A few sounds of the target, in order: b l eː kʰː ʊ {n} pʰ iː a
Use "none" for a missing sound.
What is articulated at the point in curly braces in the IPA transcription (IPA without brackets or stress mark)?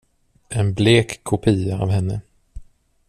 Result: none